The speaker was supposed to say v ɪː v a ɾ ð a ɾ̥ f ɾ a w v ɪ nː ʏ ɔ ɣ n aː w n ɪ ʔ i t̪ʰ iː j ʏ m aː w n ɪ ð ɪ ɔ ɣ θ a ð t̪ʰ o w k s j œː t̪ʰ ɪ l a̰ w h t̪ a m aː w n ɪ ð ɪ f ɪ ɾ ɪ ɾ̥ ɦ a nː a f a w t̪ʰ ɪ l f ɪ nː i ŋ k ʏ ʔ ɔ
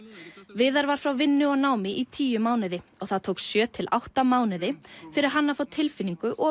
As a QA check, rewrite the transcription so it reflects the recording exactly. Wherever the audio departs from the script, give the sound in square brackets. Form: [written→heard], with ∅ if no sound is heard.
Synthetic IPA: v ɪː [v→ð] a ɾ [ð→v] a ɾ̥ f ɾ a w v ɪ nː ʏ ɔ ɣ n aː w [n→m] ɪ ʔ i t̪ʰ iː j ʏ m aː w n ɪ ð ɪ ɔ ɣ θ a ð t̪ʰ o w k s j œː t̪ʰ ɪ l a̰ w h t̪ a m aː w n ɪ ð ɪ f ɪ ɾ ɪ ɾ̥ ɦ a nː a f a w t̪ʰ ɪ l f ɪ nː i ŋ k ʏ ʔ ɔ